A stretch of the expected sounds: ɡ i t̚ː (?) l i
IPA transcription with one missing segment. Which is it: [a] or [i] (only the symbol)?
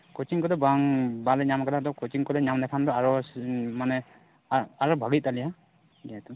a